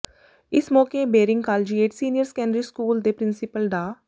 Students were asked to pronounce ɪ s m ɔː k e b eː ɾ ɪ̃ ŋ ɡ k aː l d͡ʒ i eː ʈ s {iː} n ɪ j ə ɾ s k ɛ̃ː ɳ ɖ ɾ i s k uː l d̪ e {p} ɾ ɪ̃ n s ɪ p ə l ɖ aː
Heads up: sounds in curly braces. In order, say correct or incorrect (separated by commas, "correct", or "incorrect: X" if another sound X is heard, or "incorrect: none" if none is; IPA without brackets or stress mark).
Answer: correct, correct